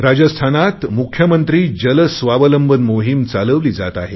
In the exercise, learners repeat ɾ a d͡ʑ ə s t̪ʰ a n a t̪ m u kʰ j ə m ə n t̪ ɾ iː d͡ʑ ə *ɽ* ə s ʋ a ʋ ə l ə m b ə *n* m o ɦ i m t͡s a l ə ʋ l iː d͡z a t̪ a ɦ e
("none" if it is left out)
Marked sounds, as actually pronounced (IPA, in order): l, n

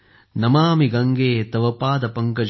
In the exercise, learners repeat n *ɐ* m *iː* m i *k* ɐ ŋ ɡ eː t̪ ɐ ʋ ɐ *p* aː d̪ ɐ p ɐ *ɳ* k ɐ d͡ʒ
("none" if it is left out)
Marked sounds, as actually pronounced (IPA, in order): ɐ, aː, ɡ, p, ŋ

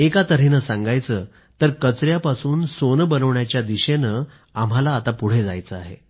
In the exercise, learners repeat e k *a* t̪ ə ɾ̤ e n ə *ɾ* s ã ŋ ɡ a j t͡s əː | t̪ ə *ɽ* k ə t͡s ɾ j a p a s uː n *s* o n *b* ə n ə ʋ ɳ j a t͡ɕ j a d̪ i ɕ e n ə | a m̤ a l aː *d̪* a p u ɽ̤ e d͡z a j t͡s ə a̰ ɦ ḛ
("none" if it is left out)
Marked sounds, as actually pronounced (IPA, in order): a, none, ɾ, s, b, t̪

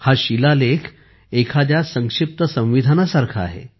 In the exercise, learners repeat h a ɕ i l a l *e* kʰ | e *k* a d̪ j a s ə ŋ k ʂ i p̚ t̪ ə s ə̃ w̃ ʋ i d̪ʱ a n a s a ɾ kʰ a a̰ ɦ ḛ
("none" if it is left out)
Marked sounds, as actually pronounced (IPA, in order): e, kʰ

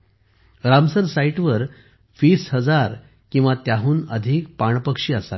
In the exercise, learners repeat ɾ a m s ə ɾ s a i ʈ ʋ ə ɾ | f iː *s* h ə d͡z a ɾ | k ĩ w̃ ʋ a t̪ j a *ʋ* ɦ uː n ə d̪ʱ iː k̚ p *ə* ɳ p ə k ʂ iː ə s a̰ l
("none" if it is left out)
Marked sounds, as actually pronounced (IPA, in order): s, none, a

